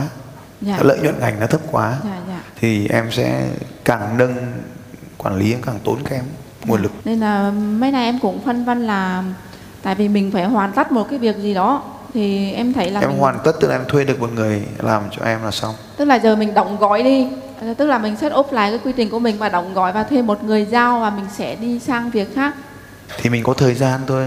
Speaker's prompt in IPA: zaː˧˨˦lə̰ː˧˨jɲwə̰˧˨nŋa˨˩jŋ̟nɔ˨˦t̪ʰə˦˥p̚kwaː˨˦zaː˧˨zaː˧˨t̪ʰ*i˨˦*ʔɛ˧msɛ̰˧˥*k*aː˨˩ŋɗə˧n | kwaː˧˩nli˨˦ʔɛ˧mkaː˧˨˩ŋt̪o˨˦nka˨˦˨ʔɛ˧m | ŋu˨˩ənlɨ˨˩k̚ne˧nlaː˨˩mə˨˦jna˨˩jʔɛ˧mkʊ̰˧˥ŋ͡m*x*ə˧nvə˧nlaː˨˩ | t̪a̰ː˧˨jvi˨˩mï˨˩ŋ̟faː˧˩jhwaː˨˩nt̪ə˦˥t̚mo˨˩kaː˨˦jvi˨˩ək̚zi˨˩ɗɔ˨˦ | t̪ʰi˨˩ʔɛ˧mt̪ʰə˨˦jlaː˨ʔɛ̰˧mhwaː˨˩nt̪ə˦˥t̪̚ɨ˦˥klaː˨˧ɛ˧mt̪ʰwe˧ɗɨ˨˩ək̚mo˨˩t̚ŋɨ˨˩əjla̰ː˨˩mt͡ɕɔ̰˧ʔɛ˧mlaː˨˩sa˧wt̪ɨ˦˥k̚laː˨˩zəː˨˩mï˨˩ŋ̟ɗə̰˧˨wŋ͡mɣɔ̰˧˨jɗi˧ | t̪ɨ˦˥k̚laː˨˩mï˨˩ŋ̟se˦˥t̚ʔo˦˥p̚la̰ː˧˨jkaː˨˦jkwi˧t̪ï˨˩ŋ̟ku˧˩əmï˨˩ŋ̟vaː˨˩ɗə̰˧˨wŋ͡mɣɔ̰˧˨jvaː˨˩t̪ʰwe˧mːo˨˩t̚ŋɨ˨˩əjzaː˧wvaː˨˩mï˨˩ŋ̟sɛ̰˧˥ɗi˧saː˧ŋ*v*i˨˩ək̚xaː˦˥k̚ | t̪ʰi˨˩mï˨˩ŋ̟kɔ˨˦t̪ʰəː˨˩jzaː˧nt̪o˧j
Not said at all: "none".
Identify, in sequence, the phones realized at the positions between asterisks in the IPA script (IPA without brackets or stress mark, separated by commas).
i˨˩, k, f, v